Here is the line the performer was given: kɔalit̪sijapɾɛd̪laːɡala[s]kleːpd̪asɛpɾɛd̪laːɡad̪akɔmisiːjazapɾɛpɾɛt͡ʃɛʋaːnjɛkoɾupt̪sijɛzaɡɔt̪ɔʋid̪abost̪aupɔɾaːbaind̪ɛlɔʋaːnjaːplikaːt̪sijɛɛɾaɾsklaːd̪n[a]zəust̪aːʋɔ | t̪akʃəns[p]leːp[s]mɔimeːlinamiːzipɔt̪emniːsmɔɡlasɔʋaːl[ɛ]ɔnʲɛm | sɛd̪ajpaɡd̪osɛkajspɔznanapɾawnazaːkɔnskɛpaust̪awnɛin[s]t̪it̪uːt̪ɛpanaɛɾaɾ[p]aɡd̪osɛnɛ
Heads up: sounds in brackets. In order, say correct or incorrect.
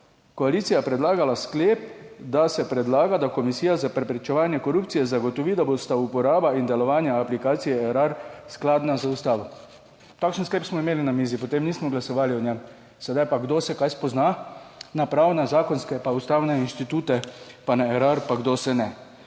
correct, correct, incorrect: k, correct, incorrect: i, incorrect: ʃ, correct

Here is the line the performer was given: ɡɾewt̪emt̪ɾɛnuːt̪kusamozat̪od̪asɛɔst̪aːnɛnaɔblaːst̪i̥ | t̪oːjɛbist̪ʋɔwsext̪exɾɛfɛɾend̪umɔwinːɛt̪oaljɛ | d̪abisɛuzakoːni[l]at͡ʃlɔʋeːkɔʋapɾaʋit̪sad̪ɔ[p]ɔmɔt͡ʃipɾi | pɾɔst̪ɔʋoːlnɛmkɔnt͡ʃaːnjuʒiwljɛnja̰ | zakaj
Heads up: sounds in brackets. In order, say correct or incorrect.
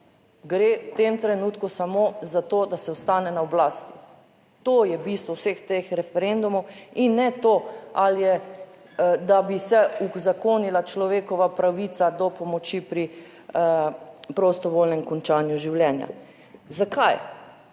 correct, correct

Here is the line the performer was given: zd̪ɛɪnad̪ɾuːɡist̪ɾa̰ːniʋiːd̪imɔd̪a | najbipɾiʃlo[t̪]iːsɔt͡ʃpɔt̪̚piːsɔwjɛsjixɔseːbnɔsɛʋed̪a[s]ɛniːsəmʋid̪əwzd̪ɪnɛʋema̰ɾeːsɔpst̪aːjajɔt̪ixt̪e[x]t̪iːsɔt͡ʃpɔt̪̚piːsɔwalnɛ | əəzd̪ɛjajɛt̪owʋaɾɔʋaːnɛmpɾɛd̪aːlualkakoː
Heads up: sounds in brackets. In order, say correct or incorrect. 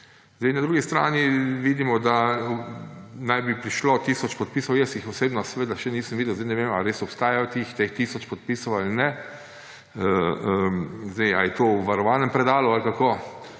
correct, incorrect: ʃ, correct

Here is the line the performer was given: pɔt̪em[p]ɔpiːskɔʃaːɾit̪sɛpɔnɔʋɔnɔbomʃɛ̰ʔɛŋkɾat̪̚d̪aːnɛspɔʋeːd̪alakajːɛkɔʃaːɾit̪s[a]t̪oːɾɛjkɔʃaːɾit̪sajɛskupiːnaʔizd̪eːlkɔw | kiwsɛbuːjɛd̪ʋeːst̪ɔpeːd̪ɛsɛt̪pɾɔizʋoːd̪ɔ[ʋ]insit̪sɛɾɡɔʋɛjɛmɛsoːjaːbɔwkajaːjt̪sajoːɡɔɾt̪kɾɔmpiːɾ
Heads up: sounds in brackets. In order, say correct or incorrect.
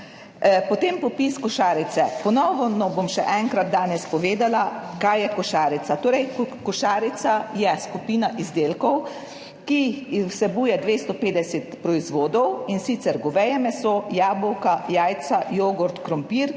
correct, correct, incorrect: w

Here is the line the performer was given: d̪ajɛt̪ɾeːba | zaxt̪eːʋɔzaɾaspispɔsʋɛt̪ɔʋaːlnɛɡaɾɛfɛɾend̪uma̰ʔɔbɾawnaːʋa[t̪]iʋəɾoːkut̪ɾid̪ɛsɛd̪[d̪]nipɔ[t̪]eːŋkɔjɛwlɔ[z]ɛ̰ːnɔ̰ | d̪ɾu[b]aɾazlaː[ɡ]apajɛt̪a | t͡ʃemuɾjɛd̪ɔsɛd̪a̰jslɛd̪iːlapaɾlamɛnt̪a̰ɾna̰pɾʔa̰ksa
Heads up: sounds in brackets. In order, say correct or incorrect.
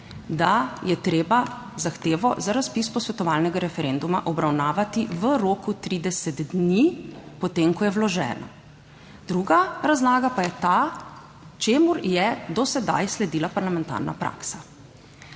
correct, correct, correct, incorrect: ʒ, incorrect: ɡ, correct

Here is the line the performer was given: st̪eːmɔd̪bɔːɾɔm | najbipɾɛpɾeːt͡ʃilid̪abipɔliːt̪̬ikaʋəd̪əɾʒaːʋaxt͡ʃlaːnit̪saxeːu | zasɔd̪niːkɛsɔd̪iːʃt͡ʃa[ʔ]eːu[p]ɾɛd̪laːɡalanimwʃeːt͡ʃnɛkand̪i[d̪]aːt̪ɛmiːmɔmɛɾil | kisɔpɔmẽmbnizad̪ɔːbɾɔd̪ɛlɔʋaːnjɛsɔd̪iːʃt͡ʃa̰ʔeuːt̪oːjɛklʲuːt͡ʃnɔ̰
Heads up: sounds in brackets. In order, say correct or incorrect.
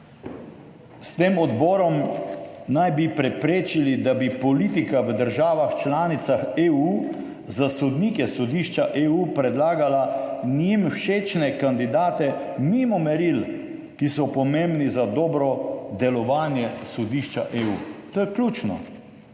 correct, correct, correct

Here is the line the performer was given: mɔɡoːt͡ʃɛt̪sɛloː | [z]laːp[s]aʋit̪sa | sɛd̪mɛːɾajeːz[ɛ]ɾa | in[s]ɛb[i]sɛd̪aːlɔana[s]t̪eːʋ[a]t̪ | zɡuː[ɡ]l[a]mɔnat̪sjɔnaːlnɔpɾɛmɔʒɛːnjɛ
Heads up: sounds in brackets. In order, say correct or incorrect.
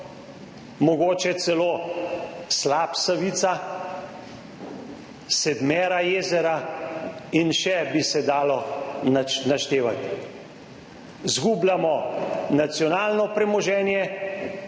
incorrect: s, correct, correct, incorrect: ʃ, correct, incorrect: ʃ, correct, incorrect: b, correct

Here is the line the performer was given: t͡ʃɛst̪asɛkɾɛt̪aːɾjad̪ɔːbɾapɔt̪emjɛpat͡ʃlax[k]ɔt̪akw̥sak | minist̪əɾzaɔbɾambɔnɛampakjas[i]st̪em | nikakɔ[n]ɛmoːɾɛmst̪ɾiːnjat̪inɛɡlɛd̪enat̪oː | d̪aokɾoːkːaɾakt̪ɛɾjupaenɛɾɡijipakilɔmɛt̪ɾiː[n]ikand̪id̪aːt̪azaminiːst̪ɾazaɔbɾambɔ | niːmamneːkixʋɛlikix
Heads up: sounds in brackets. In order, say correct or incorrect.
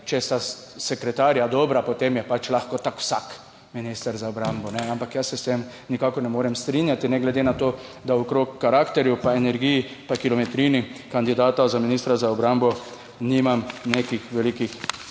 correct, incorrect: ɛ, correct, correct

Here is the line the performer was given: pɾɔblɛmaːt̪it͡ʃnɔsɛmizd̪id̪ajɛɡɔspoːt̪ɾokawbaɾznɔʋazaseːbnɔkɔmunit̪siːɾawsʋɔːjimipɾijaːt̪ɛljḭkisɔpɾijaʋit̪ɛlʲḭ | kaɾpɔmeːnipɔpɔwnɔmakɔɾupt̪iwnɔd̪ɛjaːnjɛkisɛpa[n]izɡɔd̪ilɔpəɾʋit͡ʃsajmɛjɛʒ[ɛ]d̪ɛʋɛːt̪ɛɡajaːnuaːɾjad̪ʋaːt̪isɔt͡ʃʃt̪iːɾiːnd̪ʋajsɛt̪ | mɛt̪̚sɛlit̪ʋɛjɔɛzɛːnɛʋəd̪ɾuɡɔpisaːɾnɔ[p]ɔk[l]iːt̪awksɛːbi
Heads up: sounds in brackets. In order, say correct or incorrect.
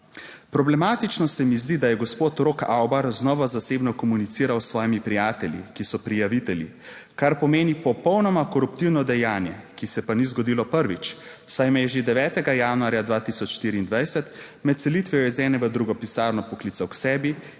correct, incorrect: e, correct, correct

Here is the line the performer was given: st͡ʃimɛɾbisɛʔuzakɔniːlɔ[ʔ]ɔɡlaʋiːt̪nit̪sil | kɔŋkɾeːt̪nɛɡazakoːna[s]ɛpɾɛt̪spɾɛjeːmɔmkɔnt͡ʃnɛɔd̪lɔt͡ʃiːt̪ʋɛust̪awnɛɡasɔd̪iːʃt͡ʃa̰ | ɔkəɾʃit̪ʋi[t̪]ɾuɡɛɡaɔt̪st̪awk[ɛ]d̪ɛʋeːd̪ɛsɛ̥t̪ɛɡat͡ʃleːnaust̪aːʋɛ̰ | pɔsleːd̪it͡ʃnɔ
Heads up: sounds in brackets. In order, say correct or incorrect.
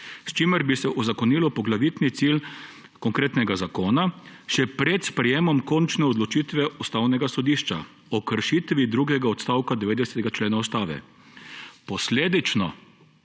incorrect: p, incorrect: ʃ, incorrect: d̪, incorrect: a

